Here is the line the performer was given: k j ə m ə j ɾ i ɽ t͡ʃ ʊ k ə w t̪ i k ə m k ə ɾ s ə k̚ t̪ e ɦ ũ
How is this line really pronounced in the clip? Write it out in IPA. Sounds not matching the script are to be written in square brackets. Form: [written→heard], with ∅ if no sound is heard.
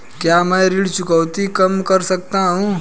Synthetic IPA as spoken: k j [ə→a] m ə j ɾ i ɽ t͡ʃ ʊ k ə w t̪ i k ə m k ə ɾ s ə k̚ t̪ [e→a] ɦ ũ

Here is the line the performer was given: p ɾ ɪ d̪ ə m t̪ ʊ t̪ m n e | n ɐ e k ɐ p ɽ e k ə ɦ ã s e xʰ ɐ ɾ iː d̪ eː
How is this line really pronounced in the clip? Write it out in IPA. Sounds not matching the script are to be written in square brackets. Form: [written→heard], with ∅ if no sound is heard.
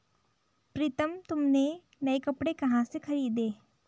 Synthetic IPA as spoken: p ɾ ɪ [d̪→t̪] ə m t̪ ʊ [t̪→∅] m n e | n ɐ e k ɐ p ɽ e k [ə→ɐ] ɦ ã s e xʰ ɐ ɾ iː d̪ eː

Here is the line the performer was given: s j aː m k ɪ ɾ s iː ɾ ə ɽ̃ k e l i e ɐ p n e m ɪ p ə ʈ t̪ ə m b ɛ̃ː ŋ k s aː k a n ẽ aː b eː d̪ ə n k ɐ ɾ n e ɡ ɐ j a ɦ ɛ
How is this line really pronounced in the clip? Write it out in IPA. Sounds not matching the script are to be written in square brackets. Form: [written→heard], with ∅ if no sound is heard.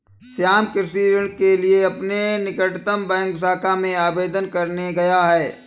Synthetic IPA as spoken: s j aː m k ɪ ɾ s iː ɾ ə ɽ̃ k e l i e ɐ p n e [m→n] ɪ [p→k] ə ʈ t̪ ə m b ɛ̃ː ŋ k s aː k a [n→m] ẽ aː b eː d̪ ə n k ɐ ɾ n e ɡ ɐ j a ɦ [ɛ→ɛː]

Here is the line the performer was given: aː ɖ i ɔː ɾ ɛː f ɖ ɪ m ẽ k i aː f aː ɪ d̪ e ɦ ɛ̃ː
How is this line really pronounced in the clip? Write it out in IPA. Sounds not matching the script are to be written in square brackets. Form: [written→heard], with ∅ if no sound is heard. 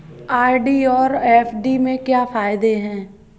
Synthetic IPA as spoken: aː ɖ i ɔː ɾ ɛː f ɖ [ɪ→i] m ẽ k [i→j] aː f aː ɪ d̪ e ɦ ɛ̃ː

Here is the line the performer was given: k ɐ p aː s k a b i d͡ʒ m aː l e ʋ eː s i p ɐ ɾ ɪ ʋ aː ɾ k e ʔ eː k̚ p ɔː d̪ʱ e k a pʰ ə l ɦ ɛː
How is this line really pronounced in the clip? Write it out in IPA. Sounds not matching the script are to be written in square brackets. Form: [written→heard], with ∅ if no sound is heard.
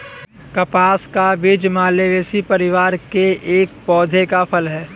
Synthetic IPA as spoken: k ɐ p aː s k a b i d͡ʒ m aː l e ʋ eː s i p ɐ ɾ ɪ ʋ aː ɾ k e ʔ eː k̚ p ɔː d̪ʱ e k a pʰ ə l ɦ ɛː

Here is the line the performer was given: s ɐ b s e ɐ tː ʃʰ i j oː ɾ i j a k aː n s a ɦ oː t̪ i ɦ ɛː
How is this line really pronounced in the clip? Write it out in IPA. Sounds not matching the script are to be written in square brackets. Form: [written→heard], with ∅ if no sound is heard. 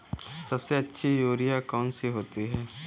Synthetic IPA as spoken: s ɐ b s e ɐ tː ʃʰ i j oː ɾ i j a k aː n s [a→i] ɦ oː t̪ i ɦ ɛː

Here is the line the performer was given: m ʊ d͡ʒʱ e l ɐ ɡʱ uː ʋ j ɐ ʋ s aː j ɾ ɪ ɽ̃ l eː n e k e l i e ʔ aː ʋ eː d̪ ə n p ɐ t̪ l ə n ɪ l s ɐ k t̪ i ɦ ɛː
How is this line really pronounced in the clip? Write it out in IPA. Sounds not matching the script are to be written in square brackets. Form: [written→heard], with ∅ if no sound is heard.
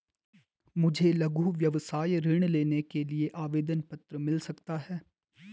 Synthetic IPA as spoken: m ʊ d͡ʒʱ e l ɐ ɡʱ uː ʋ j ɐ ʋ s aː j ɾ ɪ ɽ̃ l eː n e k e l i e ʔ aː ʋ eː d̪ ə n p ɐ t̪ [l→ɾ] ə [n→m] ɪ l s ɐ k t̪ [i→a] ɦ ɛː

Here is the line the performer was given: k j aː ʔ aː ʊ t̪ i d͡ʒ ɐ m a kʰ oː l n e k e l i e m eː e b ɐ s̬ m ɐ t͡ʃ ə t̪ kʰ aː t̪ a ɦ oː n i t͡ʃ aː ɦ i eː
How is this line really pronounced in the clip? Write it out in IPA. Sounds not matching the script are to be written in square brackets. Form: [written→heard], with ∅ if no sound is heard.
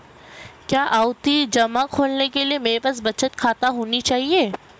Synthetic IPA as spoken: k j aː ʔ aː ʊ t̪ i d͡ʒ ɐ m a kʰ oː l n e k e l i e m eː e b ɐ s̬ [m→b] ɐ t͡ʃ ə t̪ kʰ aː t̪ a ɦ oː n i t͡ʃ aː ɦ i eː

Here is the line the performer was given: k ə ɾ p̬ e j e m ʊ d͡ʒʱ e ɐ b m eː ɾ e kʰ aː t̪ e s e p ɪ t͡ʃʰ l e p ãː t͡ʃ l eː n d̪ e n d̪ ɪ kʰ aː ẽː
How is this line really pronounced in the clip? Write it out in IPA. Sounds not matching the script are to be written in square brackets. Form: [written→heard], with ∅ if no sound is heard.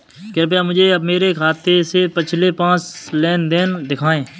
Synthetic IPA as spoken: k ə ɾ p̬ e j [e→a] m ʊ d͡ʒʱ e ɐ b m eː ɾ e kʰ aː t̪ e s e p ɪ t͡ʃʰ l e p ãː t͡ʃ l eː n d̪ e n d̪ ɪ kʰ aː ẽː

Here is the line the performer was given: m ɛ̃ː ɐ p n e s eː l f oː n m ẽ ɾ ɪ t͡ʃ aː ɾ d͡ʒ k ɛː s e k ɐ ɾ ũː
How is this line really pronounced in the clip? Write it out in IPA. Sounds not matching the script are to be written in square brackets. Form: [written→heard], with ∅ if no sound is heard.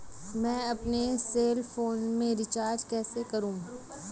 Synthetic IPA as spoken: m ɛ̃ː ɐ p n e s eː l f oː n m ẽ ɾ ɪ t͡ʃ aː ɾ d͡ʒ k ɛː s e k ɐ ɾ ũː

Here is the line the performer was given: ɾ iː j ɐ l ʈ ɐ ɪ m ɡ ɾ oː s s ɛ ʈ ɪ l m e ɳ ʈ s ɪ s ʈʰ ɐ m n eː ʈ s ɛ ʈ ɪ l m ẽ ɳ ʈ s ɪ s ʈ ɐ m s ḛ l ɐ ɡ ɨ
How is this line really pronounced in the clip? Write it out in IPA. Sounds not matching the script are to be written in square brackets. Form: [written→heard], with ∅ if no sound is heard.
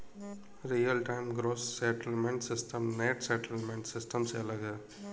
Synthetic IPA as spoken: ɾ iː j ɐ l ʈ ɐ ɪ m ɡ ɾ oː s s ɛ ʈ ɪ l m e ɳ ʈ s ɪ s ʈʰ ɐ m n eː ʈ s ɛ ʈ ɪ l m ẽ ɳ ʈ s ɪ s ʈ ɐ m s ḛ l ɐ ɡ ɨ

